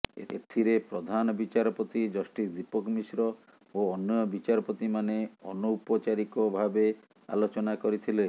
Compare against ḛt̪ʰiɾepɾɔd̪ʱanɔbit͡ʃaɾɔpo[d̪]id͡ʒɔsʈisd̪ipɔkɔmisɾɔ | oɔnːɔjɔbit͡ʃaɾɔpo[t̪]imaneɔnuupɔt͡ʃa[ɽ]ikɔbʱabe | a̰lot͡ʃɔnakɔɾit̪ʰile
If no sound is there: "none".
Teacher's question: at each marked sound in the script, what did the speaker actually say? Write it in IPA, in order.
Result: t̪, t̪, ɾ

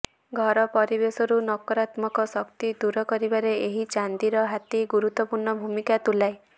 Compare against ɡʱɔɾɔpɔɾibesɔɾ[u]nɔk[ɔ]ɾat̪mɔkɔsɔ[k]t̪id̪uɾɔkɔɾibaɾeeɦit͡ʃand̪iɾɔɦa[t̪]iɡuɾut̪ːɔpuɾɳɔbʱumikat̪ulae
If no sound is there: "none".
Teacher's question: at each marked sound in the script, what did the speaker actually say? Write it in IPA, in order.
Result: u, ɔ, k, t̪

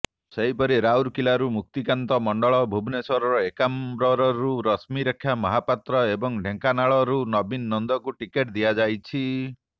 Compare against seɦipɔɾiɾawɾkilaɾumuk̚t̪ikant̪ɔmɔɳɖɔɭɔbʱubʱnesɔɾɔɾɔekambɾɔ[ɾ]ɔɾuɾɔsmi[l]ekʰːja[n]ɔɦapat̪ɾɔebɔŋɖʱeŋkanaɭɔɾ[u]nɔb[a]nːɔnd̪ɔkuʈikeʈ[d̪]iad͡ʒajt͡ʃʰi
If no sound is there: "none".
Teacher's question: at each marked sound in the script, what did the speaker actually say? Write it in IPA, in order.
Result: ɾ, ɾ, m, u, i, d̪

